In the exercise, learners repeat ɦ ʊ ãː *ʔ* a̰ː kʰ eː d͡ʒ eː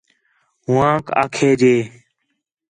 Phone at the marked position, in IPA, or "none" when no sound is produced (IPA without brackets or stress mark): k